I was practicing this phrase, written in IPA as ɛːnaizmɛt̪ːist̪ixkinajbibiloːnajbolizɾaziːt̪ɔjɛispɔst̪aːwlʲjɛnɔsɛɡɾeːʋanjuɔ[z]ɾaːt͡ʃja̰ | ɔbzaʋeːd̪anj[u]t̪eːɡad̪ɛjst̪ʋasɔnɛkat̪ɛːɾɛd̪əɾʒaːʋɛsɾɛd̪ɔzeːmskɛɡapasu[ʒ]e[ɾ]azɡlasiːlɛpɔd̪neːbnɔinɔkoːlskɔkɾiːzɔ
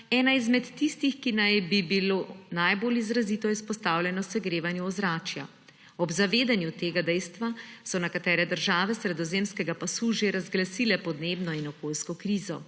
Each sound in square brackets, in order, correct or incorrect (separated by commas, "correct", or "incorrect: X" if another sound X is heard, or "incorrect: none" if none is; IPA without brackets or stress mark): correct, correct, correct, correct